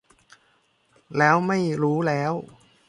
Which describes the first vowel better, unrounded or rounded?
unrounded